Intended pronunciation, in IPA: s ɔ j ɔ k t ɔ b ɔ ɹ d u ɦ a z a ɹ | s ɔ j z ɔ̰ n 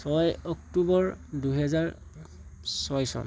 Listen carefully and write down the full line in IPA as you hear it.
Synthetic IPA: s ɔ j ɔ k t u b ɔ ɹ d u ɦ ɛ z a ɹ | s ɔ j s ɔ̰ n